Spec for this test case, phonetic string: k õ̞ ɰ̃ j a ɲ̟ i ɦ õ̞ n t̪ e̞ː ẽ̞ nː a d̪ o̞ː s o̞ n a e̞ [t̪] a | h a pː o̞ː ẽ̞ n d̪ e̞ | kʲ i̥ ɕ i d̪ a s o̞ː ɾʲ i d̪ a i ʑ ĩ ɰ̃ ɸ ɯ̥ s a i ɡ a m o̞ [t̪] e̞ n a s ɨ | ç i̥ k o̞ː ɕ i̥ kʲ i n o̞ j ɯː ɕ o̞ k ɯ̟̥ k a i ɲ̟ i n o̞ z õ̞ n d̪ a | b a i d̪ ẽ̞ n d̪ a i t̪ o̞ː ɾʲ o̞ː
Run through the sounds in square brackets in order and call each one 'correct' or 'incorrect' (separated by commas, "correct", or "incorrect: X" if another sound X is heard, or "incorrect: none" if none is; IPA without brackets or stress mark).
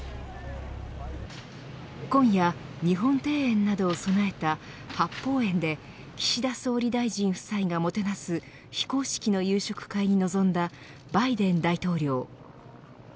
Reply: correct, correct